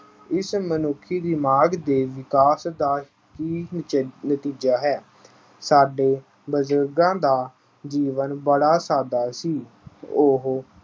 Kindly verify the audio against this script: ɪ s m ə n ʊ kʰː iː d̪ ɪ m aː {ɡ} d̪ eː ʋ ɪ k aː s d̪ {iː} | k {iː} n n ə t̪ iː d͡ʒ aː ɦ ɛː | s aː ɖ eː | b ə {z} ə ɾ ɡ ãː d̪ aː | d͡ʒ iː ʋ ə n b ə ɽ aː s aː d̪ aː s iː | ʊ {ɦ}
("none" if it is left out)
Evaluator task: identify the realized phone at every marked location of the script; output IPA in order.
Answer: ɡ, aː, iː, z, ɦ

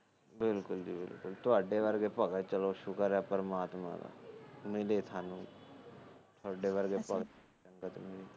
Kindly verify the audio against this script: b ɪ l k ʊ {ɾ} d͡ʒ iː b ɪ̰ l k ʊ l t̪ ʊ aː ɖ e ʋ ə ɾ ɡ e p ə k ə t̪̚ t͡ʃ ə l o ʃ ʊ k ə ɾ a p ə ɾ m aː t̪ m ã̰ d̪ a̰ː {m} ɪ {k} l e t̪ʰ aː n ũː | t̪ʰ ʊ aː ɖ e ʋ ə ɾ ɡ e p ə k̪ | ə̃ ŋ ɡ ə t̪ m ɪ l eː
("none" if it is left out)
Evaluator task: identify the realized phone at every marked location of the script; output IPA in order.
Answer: l, m, none

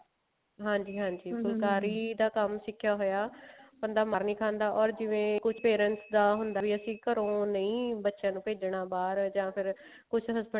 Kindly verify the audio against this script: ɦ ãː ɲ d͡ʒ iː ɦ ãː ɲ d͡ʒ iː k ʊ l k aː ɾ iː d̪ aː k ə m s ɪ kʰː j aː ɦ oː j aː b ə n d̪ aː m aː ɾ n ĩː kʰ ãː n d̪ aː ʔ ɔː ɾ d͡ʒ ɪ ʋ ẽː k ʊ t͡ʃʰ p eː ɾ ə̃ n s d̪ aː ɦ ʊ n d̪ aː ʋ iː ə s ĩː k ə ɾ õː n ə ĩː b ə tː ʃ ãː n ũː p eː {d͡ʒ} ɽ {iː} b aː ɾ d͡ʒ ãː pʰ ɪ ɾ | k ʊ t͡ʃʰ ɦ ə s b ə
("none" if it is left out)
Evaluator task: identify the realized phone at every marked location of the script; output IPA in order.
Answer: d͡ʒ, aː

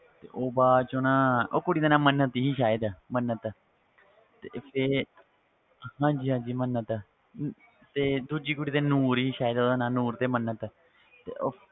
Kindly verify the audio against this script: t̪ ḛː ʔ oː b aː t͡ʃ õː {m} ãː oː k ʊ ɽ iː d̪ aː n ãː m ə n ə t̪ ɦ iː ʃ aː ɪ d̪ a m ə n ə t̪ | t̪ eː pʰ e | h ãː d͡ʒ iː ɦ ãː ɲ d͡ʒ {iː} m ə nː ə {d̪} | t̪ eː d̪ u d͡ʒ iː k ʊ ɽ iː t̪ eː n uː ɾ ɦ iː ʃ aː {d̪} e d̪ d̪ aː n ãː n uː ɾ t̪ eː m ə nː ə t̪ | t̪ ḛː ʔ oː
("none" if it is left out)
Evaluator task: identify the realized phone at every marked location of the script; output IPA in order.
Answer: n, iː, t̪, none

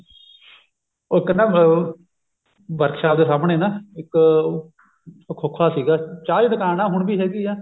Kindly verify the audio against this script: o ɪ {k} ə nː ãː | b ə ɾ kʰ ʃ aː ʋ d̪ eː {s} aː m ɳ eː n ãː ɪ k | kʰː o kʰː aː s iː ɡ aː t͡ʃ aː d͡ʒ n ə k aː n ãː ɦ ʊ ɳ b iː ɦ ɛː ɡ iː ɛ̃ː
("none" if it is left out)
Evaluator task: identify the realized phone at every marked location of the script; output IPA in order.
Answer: k, s

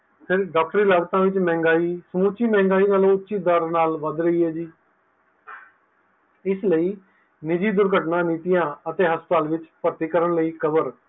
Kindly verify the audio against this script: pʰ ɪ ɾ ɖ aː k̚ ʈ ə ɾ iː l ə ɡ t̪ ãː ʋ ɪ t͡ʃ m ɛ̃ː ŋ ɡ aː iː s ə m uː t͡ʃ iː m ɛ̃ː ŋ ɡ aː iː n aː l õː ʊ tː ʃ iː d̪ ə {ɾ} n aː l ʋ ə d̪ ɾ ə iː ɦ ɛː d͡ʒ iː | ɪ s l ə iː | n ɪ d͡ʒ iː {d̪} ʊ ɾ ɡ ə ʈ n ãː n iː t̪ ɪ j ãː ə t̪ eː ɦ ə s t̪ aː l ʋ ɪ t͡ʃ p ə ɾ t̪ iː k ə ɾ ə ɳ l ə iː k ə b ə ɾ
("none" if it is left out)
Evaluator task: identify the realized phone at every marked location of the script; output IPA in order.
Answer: ɾ, d̪

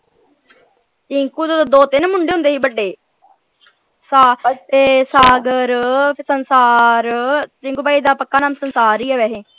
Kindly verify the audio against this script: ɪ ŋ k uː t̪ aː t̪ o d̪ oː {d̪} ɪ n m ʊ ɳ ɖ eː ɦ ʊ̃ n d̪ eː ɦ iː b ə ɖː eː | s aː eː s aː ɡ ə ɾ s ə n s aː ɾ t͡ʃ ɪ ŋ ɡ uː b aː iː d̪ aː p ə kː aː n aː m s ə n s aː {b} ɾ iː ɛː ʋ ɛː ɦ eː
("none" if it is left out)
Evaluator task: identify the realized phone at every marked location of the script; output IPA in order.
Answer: t̪, none

